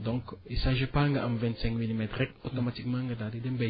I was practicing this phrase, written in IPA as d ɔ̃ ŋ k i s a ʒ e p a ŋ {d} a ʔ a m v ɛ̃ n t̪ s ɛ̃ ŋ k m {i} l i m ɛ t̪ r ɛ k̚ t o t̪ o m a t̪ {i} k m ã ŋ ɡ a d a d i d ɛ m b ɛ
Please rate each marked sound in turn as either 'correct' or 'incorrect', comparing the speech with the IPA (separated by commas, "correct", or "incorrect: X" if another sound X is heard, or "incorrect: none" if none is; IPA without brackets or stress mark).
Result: incorrect: ɡ, correct, correct